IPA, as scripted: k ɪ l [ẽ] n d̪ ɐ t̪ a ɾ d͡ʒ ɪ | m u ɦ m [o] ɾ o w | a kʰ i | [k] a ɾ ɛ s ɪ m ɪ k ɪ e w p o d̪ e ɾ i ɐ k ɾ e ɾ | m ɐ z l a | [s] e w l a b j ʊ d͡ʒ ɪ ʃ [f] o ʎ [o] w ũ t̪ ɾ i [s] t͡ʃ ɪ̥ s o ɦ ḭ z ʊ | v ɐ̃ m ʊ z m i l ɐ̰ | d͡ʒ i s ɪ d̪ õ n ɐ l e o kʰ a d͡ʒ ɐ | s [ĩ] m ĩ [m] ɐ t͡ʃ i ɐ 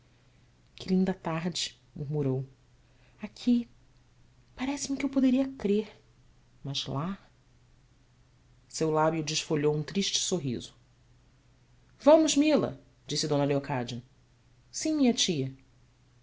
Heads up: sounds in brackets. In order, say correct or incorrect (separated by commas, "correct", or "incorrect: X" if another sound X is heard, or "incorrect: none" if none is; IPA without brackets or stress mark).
incorrect: ĩ, incorrect: u, incorrect: p, correct, correct, correct, incorrect: ʃ, correct, incorrect: ɲ